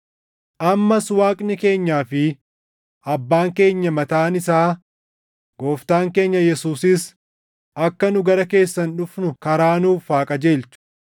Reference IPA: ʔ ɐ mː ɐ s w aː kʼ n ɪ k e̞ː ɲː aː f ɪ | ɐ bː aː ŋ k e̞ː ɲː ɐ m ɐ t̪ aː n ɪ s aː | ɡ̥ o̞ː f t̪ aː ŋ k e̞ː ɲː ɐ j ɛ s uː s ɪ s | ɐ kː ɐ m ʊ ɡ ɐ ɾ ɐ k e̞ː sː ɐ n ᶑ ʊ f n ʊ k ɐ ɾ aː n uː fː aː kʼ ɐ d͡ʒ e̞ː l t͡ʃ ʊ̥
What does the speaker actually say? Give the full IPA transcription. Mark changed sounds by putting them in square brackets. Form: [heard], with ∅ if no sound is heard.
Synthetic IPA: ʔ ɐ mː ɐ s w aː kʼ n ɪ k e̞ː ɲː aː f ɪ | ɐ bː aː ŋ k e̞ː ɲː ɐ m ɐ t̪ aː n ɪ s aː | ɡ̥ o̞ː f t̪ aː ŋ k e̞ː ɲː ɐ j ɛ s uː s ɪ s | ɐ kː ɐ [n] ʊ ɡ ɐ ɾ ɐ k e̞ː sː ɐ n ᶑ ʊ f n ʊ k ɐ ɾ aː n uː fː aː kʼ ɐ d͡ʒ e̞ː l t͡ʃ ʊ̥